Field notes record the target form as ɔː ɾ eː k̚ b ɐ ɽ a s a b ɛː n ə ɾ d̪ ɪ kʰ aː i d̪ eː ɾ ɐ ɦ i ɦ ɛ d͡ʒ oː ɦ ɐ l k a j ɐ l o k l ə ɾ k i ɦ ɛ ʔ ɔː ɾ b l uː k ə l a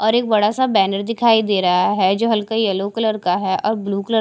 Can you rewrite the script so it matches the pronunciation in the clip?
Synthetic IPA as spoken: ɔː ɾ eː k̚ b ɐ ɽ a s a b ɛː n ə ɾ d̪ ɪ kʰ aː i d̪ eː ɾ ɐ ɦ a ɦ ɛ d͡ʒ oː ɦ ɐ l k a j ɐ l o k l ə ɾ k a ɦ ɛ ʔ ɔː ɾ b l uː k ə l ə